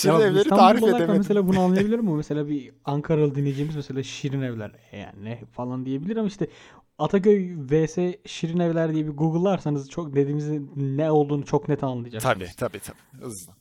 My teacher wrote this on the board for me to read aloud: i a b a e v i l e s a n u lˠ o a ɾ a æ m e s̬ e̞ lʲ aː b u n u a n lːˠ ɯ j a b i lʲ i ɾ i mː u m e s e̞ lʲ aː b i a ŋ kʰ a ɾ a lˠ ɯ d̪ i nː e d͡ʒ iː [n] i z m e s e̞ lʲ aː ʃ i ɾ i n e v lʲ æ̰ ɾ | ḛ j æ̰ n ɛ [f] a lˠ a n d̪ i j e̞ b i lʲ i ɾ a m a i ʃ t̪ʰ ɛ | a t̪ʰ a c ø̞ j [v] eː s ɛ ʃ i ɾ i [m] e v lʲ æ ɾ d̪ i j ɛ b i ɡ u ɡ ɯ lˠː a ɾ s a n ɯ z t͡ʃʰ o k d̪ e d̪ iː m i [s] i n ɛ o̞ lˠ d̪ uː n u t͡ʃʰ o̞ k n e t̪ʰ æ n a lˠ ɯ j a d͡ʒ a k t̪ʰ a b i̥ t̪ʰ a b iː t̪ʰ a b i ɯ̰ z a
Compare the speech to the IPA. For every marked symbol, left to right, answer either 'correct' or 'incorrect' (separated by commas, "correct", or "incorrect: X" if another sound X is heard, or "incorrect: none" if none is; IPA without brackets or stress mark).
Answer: incorrect: m, correct, correct, incorrect: n, incorrect: z